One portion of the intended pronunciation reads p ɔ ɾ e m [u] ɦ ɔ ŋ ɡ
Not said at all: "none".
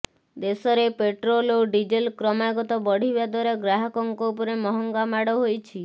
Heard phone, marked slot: ɔ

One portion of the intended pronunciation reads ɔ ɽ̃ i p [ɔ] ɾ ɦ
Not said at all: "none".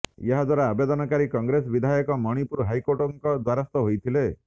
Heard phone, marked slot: u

